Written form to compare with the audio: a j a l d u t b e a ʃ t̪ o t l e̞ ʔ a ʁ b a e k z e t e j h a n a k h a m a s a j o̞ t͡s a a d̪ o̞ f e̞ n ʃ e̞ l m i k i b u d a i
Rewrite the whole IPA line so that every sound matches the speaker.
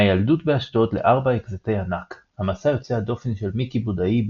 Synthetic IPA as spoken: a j a l d u t b e a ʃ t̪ o t l e̞ ʔ a ʁ b a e k z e t e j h a n a k h a m a s a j o̞ t͡s e a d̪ o̞ f e̞ n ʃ e̞ l m i k i b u d a i